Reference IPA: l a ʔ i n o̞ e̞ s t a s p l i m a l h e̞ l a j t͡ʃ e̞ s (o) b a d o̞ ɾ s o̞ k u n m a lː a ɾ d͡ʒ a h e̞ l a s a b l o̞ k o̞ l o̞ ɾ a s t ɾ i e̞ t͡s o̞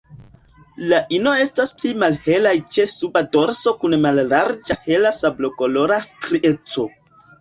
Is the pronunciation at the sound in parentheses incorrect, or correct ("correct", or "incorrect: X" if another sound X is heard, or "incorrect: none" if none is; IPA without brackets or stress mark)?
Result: incorrect: u